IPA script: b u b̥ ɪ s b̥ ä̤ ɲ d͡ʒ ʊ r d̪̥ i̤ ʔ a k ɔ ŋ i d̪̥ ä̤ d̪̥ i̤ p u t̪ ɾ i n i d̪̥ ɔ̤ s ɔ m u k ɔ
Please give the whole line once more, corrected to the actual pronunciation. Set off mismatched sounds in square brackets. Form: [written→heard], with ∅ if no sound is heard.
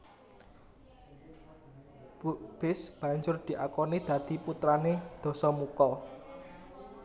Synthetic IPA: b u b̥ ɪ s b̥ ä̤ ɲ d͡ʒ ʊ r d̪̥ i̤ ʔ a k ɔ [ŋ→n] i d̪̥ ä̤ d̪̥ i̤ p u t̪ ɾ [i→a] n [i→e] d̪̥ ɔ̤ s ɔ m u k ɔ